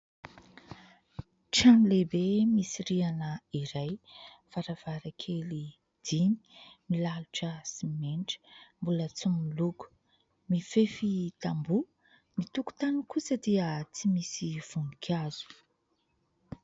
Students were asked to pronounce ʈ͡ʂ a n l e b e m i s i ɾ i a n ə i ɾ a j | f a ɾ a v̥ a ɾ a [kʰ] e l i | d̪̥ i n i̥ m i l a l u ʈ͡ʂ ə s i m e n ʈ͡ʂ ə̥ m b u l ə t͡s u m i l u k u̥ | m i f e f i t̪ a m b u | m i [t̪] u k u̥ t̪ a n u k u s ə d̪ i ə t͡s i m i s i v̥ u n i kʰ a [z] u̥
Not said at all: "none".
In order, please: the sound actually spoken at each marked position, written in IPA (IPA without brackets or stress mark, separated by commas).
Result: kʰ, t̪, z